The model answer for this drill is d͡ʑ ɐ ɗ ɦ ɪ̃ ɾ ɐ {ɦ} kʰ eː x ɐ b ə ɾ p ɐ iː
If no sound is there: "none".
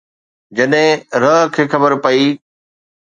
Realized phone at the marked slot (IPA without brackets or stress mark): ɦ